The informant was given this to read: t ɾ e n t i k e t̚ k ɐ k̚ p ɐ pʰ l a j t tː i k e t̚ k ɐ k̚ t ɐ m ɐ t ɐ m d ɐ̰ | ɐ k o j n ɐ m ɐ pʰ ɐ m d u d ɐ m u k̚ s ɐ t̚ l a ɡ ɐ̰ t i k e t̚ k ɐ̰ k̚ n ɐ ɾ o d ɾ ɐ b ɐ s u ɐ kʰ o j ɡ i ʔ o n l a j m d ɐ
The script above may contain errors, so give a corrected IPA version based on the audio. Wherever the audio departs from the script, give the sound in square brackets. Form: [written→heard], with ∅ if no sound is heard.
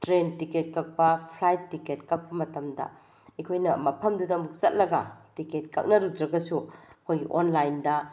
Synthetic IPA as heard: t ɾ e n t i k e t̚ k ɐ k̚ p ɐ pʰ l a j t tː i k e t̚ k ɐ k̚ [t→p] ɐ m ɐ t ɐ m d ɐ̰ | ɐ [k→kʰ] o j n ɐ m ɐ pʰ ɐ m d u d ɐ m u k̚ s ɐ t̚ l [a→ɐ] ɡ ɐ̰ t i k e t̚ k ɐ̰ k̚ n ɐ ɾ [o→u] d ɾ ɐ [b→ɡ] ɐ s u ɐ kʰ o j ɡ i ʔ o n l a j [m→n] d ɐ